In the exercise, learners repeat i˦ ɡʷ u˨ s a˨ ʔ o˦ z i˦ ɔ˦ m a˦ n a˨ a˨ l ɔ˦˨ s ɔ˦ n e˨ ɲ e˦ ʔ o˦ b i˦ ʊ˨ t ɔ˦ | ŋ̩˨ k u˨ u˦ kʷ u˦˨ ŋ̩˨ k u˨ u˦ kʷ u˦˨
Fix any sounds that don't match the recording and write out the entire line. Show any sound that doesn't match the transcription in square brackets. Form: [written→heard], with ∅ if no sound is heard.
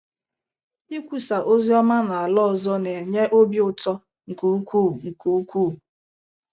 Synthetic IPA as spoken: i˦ [ɡʷ→kʷ] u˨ s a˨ ʔ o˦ z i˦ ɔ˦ m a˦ n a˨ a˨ l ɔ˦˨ [s→z] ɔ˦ n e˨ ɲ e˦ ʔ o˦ b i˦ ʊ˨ t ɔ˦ | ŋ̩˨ k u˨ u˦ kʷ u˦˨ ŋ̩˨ k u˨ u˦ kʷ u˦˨

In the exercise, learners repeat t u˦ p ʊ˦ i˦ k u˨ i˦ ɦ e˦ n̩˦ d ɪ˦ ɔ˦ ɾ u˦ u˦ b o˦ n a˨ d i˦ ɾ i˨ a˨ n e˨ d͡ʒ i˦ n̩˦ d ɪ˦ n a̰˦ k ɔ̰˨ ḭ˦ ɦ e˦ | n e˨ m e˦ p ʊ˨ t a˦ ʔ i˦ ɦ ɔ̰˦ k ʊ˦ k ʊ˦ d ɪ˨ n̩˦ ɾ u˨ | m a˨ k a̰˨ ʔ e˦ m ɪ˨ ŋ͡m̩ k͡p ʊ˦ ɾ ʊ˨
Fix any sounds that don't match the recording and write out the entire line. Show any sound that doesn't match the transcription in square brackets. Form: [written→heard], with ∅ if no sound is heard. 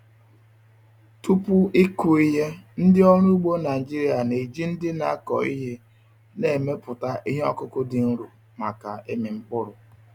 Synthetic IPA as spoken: t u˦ p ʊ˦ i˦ k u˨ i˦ ɦ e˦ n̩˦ d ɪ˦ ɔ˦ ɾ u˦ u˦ [b→ɡ͡b] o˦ n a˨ [d→d͡ʒ] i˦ ɾ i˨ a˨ n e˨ d͡ʒ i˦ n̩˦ d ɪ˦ n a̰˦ k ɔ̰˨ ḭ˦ ɦ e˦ | n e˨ m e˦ p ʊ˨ t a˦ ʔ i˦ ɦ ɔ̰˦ k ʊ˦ k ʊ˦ d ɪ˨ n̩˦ ɾ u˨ | m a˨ k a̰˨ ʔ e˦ m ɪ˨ ŋ͡m̩ k͡p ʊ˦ ɾ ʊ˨

